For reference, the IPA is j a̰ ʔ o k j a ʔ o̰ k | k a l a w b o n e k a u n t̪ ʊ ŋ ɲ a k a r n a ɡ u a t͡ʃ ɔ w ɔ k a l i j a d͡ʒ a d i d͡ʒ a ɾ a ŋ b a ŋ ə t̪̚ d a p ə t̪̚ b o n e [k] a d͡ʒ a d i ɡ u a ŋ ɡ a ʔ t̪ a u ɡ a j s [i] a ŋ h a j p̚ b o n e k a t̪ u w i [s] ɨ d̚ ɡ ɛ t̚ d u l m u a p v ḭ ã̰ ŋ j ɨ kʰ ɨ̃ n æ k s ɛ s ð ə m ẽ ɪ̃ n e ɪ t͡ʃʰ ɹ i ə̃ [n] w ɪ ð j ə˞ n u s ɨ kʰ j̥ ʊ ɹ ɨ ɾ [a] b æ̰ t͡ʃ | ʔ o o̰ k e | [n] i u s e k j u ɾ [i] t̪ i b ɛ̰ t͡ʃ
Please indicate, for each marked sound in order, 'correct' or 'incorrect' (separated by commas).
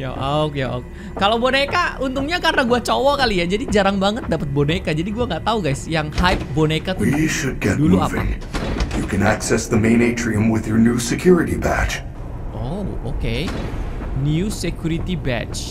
correct, incorrect, incorrect, incorrect, incorrect, correct, correct